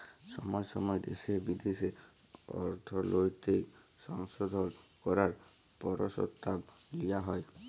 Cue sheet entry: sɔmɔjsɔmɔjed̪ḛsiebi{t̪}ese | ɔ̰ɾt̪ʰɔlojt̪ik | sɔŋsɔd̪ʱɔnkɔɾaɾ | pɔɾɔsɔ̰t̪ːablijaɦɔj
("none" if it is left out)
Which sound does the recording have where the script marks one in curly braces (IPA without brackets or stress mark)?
d̪